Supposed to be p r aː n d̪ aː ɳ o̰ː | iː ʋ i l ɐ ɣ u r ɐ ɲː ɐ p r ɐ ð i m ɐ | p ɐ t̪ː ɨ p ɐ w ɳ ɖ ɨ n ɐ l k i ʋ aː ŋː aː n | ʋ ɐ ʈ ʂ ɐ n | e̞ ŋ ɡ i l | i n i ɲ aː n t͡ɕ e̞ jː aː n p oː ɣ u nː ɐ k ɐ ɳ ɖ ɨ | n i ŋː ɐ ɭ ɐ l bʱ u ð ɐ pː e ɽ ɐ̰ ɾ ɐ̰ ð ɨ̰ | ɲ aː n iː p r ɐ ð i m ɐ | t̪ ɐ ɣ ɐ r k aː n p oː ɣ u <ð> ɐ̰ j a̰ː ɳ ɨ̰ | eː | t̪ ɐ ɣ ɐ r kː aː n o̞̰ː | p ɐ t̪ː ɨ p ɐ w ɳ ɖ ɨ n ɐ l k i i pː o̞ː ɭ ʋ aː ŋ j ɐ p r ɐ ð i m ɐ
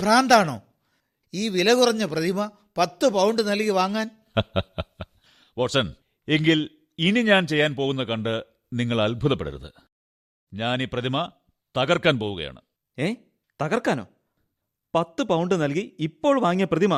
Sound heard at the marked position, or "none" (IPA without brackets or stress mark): ɣ